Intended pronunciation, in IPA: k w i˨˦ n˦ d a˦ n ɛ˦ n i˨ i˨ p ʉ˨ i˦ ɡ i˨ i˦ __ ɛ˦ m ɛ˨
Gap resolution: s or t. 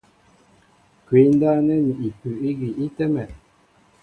t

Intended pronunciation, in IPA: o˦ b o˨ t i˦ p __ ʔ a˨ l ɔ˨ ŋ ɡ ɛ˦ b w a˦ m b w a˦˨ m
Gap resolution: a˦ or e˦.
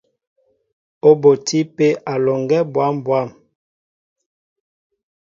e˦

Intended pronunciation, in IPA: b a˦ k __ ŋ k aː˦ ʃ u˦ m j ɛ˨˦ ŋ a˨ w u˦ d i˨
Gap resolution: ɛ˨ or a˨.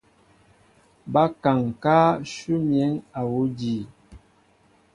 a˨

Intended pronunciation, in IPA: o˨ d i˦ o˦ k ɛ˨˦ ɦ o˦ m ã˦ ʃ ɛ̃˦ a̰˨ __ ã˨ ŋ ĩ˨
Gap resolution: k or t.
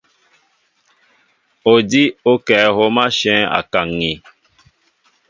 k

